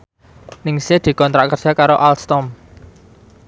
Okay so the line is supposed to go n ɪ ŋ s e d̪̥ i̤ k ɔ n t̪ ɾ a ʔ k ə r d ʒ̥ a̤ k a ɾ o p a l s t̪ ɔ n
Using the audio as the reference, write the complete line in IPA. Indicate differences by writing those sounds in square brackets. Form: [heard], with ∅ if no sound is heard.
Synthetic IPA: n ɪ ŋ s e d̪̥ i̤ k ɔ n t̪ ɾ a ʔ k ə r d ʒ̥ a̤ k a ɾ o [ʔ] a l s t̪ ɔ [m]